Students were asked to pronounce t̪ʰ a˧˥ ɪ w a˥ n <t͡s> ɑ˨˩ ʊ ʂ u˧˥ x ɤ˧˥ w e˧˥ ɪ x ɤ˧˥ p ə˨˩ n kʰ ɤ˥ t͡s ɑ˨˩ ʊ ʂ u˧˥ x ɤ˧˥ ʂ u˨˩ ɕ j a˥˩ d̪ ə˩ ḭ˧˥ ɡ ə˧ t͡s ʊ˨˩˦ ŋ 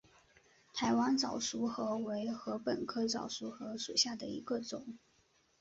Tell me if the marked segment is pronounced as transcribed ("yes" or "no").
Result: yes